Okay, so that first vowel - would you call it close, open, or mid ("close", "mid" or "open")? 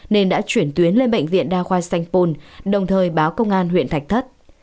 mid